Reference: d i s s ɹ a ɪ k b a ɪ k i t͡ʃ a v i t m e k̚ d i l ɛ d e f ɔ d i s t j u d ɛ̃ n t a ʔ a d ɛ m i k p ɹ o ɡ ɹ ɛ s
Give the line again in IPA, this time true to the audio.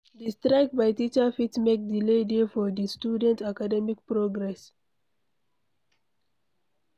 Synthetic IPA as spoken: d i s t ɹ a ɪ k b a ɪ t i t͡ʃ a f i t m e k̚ d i l e d e f ɔ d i s t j u d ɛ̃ n t a k a d ɛ m i k p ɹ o ɡ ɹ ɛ s